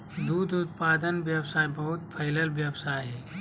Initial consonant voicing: voiced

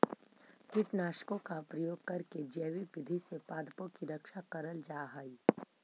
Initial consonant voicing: voiceless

